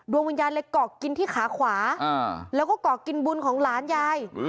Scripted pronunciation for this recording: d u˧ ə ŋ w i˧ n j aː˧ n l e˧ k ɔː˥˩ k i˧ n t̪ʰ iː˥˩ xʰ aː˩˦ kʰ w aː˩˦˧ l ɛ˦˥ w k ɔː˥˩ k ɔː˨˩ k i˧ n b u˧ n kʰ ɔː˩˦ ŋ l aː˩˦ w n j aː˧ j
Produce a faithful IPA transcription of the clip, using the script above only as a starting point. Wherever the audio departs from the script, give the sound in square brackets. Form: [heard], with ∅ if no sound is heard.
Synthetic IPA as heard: d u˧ ə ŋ w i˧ n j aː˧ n l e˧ k [ɔː˨˩] k i˧ n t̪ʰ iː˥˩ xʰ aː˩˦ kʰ w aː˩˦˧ l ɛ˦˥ w k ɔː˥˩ k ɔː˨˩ k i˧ n b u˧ n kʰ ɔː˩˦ ŋ l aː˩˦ [∅] n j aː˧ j